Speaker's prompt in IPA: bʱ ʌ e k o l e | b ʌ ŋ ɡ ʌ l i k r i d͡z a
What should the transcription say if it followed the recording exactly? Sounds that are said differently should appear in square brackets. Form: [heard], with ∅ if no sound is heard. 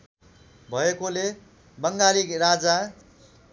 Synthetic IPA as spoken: bʱ ʌ e k o l e | b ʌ ŋ ɡ [a] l i k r [a] d͡z a